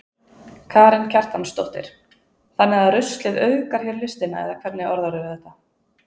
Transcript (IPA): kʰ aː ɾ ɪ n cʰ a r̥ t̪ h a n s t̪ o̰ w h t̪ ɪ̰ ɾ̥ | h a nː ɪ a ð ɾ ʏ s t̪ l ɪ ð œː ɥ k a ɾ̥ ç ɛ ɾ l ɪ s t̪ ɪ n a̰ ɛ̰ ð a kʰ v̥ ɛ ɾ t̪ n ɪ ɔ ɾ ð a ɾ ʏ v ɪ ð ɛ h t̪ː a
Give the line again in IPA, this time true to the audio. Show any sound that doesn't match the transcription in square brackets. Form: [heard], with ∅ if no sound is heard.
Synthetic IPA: kʰ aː ɾ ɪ n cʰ a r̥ t̪ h a n s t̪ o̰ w h t̪ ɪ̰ ɾ̥ | [θ] a nː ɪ a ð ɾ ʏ s t̪ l ɪ ð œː ɥ k a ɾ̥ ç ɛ ɾ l ɪ s t̪ ɪ n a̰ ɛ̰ ð a kʰ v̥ ɛ ɾ t̪ n ɪ ɔ ɾ ð a ɾ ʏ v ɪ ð ɛ h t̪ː a